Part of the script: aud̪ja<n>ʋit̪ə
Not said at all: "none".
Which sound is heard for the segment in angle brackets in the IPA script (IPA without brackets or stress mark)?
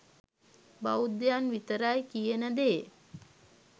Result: n